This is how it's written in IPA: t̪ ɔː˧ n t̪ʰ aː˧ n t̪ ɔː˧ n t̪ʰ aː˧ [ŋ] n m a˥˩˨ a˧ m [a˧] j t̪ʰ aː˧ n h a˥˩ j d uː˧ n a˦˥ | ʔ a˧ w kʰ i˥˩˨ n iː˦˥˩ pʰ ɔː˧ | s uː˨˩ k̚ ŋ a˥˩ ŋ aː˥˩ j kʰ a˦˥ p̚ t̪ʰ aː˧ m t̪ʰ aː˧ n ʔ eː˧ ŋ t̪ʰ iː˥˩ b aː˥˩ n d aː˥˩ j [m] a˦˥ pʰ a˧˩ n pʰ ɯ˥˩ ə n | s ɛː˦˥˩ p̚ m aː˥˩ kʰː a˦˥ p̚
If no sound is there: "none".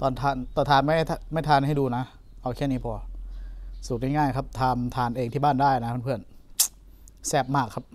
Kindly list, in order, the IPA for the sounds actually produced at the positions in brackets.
none, a˥˩, n

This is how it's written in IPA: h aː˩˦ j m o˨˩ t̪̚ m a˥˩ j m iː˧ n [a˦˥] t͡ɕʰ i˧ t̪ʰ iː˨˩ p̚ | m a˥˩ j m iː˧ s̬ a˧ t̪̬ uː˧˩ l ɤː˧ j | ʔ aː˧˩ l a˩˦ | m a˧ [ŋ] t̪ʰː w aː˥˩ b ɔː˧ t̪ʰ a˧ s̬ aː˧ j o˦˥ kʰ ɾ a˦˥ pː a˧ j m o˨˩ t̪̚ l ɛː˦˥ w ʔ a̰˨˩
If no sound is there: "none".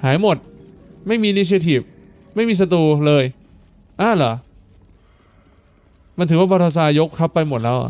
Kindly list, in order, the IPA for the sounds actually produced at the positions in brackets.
i˦˥, n

